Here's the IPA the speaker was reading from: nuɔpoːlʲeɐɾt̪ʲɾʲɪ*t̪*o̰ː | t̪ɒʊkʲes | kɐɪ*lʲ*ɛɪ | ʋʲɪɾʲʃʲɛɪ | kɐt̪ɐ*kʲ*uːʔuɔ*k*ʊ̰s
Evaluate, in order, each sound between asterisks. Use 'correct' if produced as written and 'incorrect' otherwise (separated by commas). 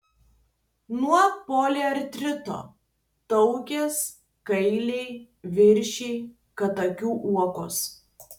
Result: correct, correct, correct, correct